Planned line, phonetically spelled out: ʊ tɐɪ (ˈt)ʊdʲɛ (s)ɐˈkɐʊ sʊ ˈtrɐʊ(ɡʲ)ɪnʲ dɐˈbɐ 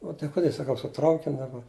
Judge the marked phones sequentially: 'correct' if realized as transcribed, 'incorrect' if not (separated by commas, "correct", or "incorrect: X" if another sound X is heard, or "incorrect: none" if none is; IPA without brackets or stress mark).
incorrect: k, correct, incorrect: kʲ